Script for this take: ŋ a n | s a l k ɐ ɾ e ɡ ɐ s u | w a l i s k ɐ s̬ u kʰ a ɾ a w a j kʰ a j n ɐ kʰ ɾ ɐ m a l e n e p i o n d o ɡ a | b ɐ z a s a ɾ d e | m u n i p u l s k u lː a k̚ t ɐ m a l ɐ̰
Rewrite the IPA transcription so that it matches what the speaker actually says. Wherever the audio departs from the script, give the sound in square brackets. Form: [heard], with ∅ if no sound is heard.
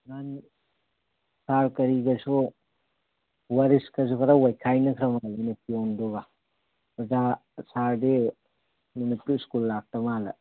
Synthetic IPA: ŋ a n | s a [ɾ] k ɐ ɾ [i] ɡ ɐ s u | w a [ɾ] i s k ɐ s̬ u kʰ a ɾ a w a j kʰ a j n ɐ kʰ ɾ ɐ m a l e n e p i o n d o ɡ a | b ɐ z a s a ɾ d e | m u n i p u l s k u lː a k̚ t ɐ m a l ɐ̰